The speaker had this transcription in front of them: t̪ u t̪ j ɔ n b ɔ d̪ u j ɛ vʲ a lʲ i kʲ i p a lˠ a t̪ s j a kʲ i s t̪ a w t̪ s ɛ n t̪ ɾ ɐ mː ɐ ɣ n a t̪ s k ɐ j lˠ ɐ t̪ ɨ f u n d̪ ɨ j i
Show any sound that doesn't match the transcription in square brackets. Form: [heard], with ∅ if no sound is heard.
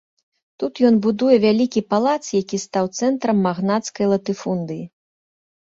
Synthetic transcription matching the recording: t̪ u t̪ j ɔ n b [u] d̪ u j ɛ vʲ a lʲ i kʲ i p a lˠ a t̪ s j a kʲ i s t̪ a w t̪ s ɛ n t̪ ɾ ɐ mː [a] ɣ n a t̪ s k ɐ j lˠ ɐ t̪ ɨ f u n d̪ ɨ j i